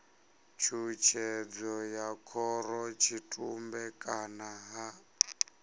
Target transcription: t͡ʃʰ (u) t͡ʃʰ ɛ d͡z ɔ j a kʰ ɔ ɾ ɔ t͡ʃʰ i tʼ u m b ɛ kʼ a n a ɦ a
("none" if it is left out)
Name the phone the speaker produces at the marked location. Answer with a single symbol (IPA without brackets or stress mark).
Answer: u